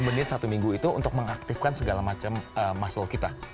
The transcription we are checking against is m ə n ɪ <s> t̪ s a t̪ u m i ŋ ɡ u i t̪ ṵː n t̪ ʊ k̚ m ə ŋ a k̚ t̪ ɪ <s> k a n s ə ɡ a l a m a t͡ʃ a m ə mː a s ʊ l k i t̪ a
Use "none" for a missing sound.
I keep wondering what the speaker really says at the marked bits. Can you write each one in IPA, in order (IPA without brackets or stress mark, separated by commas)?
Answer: none, f